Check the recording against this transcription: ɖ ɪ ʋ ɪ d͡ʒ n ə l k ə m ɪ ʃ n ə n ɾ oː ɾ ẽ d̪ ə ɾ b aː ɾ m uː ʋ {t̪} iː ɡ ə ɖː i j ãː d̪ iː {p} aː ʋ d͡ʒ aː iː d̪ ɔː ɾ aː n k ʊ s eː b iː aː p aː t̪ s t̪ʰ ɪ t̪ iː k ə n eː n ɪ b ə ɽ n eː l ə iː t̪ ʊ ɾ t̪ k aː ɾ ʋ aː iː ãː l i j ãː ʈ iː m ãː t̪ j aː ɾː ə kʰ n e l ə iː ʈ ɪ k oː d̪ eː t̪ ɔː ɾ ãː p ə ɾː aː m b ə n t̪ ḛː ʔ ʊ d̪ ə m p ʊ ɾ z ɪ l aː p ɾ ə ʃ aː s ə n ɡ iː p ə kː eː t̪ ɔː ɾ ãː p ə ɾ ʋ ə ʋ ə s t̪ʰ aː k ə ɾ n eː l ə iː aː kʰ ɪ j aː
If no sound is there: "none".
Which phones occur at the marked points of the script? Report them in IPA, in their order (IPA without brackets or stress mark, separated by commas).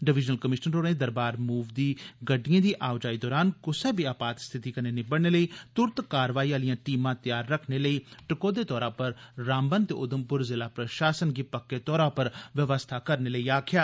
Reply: d̪, ʔ